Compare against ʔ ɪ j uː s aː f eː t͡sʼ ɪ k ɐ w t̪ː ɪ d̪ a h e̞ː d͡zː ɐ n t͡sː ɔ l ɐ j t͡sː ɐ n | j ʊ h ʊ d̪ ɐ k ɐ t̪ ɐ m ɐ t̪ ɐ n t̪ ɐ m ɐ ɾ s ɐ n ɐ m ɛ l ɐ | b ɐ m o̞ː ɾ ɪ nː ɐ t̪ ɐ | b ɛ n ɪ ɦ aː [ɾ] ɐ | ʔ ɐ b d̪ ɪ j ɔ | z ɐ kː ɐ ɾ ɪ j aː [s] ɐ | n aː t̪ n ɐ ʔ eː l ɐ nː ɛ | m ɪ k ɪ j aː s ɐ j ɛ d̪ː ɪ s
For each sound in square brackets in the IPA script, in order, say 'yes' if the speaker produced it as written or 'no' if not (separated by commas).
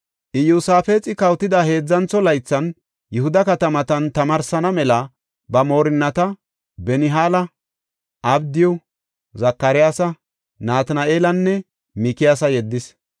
no, yes